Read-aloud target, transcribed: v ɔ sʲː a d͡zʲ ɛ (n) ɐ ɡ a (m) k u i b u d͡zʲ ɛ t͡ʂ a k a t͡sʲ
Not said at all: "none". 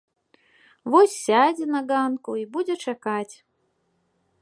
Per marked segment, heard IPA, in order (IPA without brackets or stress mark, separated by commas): n, n